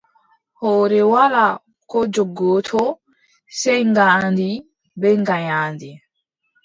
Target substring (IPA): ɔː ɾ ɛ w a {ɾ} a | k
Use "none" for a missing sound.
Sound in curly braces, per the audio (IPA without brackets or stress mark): l